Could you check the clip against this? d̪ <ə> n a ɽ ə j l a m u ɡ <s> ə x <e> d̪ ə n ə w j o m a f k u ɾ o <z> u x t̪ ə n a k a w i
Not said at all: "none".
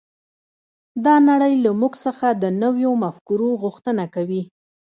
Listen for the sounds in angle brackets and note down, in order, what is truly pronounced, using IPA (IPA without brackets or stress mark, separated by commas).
ɑ, s, a, ɣ